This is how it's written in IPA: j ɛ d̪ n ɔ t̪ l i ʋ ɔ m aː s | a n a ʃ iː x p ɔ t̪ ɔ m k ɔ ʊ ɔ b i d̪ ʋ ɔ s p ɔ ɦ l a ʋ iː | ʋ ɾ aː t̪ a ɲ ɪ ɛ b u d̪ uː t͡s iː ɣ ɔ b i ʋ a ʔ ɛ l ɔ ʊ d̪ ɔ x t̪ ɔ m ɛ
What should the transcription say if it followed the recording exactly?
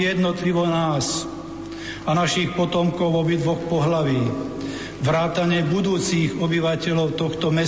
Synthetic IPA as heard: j ɛ d̪ n ɔ t̪ l i ʋ ɔ n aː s | a n a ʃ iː x p ɔ t̪ ɔ m k ɔ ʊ ɔ b i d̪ ʋ ɔ x p ɔ ɦ l a ʋ iː | ʋ ɾ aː t̪ a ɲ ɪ ɛ b u d̪ uː t͡s iː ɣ ɔ b i ʋ a c ɛ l ɔ ʊ t̪ ɔ x t̪ ɔ m ɛ